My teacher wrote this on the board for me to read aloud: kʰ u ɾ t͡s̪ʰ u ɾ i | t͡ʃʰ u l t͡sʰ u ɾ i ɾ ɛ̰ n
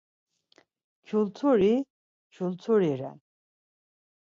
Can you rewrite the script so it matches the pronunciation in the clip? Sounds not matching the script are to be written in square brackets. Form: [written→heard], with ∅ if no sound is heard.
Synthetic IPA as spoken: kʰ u [ɾ→l] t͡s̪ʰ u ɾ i | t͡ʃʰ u l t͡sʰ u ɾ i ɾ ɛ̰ n